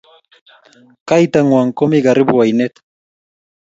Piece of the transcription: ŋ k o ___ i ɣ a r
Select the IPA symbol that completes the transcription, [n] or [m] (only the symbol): m